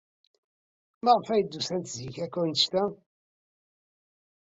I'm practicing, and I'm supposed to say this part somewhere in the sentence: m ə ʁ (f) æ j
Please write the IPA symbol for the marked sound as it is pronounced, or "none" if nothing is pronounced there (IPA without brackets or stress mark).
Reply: f